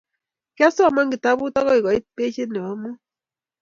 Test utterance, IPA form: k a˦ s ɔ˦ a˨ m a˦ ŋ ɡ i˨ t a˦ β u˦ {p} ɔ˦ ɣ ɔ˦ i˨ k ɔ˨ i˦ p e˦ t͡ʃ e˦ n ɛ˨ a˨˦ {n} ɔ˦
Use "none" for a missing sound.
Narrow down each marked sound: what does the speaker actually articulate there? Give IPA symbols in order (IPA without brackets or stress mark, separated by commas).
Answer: t, m